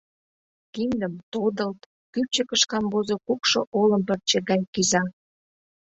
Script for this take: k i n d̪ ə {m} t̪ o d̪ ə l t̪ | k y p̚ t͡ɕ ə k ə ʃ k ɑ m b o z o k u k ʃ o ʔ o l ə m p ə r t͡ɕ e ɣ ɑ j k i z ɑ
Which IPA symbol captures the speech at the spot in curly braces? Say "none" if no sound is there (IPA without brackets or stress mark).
m